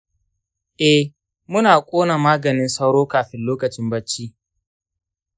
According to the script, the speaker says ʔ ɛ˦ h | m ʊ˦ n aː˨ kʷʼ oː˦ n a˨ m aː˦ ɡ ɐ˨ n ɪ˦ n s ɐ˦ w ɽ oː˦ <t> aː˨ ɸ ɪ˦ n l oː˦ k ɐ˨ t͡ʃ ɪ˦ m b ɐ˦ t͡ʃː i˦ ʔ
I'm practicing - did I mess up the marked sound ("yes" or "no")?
yes